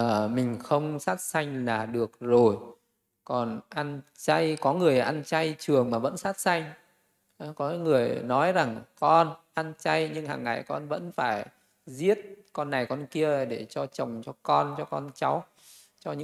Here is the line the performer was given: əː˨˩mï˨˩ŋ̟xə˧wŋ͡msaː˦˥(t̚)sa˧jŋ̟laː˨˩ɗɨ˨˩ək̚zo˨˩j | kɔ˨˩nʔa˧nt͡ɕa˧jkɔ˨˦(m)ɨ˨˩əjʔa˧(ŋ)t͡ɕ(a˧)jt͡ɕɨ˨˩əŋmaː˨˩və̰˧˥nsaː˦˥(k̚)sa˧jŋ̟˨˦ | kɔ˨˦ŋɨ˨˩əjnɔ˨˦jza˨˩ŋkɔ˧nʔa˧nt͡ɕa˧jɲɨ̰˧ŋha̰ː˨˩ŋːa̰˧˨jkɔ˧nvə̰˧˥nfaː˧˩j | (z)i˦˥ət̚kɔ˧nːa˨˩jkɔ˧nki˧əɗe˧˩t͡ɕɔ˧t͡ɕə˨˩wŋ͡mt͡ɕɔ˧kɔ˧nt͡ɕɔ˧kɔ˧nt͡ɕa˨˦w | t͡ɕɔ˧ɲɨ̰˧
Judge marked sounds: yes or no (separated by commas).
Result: yes, no, no, yes, no, yes